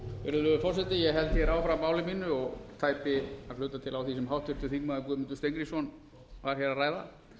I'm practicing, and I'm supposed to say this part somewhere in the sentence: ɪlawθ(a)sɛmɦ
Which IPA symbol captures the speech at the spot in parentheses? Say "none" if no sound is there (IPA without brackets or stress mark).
i